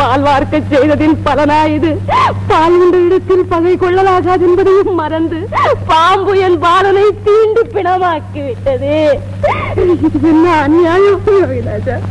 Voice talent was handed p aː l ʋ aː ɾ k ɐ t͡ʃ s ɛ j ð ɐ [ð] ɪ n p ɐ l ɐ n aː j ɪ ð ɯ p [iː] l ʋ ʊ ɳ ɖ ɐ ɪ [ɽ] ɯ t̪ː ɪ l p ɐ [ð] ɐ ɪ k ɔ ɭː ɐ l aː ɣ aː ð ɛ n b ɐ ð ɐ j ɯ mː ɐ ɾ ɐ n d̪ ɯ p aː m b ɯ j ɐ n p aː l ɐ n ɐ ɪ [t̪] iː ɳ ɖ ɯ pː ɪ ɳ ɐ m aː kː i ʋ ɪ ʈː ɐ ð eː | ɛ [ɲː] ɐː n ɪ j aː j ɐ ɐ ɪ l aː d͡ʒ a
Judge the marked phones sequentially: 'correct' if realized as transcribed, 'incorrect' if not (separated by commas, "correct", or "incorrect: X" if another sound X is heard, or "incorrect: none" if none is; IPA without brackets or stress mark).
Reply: correct, incorrect: aː, correct, incorrect: ɣ, correct, incorrect: nː